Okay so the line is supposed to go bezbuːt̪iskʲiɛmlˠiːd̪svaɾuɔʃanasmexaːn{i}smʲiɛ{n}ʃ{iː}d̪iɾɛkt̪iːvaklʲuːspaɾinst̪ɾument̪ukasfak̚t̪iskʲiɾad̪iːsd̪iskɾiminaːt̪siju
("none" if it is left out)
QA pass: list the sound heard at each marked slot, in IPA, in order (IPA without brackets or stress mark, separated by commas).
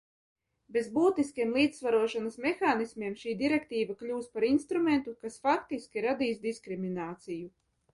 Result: i, m, iː